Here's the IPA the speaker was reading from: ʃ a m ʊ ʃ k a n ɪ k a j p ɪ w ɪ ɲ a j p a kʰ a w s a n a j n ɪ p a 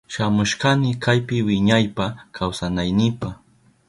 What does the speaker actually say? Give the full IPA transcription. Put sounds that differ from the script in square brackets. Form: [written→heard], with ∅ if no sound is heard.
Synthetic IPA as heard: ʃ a m ʊ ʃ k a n ɪ k a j p ɪ w ɪ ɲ a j p a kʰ a w s a n a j n ɪ p a